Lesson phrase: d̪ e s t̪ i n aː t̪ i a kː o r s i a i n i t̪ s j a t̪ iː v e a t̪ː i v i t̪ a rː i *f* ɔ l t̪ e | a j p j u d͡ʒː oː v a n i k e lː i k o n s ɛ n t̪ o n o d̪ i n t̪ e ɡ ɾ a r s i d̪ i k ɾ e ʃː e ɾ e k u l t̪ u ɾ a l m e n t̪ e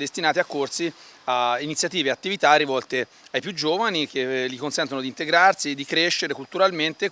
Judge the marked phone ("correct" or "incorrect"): incorrect